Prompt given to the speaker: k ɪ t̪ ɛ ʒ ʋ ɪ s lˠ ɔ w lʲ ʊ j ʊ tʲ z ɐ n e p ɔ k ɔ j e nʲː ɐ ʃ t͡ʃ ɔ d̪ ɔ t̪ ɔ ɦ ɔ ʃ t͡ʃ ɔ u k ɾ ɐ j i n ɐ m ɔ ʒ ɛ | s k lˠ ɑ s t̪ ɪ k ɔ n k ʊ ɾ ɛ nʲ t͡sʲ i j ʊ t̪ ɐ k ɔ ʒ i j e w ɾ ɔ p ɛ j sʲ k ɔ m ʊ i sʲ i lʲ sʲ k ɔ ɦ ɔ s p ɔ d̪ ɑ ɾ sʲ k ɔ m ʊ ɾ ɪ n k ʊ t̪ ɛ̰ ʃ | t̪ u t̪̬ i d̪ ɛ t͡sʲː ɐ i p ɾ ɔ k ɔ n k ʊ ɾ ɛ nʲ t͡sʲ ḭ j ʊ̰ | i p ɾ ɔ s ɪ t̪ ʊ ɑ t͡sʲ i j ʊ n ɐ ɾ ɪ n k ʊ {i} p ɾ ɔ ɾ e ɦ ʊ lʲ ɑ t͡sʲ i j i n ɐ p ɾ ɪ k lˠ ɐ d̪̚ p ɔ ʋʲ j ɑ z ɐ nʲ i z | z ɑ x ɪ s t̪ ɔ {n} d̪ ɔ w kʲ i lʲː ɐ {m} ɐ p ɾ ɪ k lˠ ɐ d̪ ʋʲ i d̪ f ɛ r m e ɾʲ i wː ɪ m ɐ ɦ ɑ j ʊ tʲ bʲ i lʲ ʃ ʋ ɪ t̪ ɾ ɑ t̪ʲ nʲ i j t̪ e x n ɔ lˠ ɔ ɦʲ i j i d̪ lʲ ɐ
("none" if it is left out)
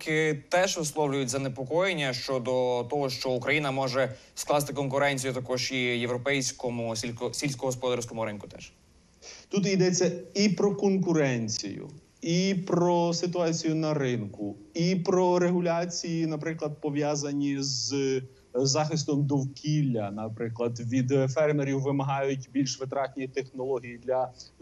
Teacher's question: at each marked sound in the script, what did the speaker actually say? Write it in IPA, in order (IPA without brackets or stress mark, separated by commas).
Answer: i, m, n